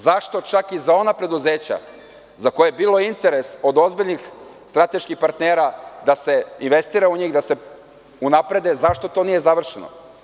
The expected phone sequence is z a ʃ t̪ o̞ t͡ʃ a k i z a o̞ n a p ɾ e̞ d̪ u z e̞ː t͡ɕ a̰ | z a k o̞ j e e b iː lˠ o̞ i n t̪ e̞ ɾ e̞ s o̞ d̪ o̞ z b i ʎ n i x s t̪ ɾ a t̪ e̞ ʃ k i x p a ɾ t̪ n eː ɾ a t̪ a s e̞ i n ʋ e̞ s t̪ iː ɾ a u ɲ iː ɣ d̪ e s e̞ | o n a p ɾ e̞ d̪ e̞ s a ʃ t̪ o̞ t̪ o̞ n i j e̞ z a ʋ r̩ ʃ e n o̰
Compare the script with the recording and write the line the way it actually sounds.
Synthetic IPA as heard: z a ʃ t̪ o̞ t͡ʃ a k i z a o̞ n a p ɾ e̞ d̪ u z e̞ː t͡ɕ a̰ | z a k o̞ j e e b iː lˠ o̞ i n t̪ e̞ ɾ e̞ s o̞ d̪ o̞ z b i ʎ n i x s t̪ ɾ a t̪ e̞ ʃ k i x p a ɾ t̪ n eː ɾ a d̪ a s e̞ i n ʋ e̞ s t̪ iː ɾ a u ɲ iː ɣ d̪ a s e̞ | u n a p ɾ e̞ d̪ e̞ z a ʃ t̪ o̞ t̪ o̞ n i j e̞ z a ʋ r̩ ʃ e n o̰

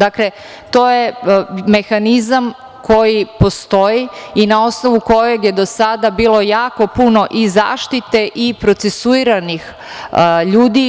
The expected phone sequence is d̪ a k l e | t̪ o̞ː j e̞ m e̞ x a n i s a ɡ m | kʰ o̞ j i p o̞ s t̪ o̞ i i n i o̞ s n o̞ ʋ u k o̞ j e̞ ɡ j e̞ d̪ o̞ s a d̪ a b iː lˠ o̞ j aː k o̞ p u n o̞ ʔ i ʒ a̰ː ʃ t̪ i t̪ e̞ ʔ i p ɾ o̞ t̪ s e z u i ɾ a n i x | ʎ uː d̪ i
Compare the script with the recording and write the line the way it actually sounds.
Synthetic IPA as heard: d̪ a k l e | t̪ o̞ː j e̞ m e̞ x a n i z a m | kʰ o̞ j i p o̞ s t̪ o̞ i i n a o̞ s n o̞ ʋ u k o̞ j e̞ ɡ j e̞ d̪ o̞ s a d̪ a b iː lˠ o̞ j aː k o̞ p u n o̞ ʔ i z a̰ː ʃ t̪ i t̪ e̞ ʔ i p ɾ o̞ t̪ s e s u i ɾ a n i x | ʎ uː d̪ i

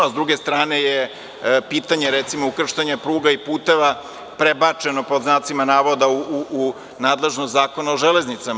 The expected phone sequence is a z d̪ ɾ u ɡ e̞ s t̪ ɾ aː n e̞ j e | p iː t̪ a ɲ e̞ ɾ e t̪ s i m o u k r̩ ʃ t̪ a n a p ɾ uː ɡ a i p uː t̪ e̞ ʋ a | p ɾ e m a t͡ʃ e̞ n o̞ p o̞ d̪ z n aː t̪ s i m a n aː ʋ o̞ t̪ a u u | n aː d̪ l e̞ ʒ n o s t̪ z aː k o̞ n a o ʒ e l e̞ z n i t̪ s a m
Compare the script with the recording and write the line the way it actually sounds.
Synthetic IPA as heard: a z d̪ ɾ u ɡ e̞ s t̪ ɾ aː n e̞ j e | p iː t̪ a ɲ e̞ ɾ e t̪ s i m o u k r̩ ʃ t̪ a ɲ a p ɾ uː ɡ a i p uː t̪ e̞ ʋ a | p ɾ e b a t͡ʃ e̞ n o̞ p o̞ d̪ z n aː t̪ s i m a n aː ʋ o̞ d̪ a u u | n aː d̪ l e̞ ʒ n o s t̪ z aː k o̞ n a o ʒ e l e̞ z n i t̪ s a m

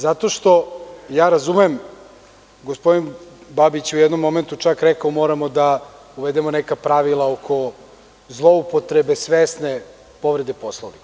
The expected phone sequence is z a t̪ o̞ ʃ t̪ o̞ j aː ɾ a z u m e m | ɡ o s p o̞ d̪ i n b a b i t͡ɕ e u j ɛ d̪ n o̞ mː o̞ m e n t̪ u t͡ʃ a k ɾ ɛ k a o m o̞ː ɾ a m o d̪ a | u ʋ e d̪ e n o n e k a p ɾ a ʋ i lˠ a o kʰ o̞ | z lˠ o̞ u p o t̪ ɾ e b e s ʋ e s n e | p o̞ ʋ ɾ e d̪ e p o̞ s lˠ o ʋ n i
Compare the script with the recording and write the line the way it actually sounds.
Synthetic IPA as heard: z a t̪ o̞ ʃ t̪ o̞ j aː ɾ a z u m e m | ɡ o s p o̞ d̪ i n b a b i t͡ɕ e u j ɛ d̪ n o̞ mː o̞ m e n t̪ u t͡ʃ a k ɾ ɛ k a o m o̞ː ɾ a m o d̪ a | u ʋ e d̪ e m o n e k a p ɾ a ʋ i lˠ a o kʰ o̞ | z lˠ o̞ u p o t̪ ɾ e b e s ʋ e s n e | p o̞ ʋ ɾ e d̪ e p o̞ s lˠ o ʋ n i

